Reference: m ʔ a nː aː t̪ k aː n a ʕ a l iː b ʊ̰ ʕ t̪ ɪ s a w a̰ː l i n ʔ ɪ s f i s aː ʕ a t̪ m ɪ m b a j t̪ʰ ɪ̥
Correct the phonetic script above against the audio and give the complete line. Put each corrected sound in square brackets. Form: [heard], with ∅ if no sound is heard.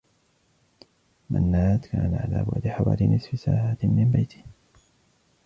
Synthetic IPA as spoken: m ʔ a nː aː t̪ k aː n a ʕ a l [aː] b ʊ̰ ʕ [d̪] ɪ [ħ] a w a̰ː l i n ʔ ɪ s f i s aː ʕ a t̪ m ɪ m b a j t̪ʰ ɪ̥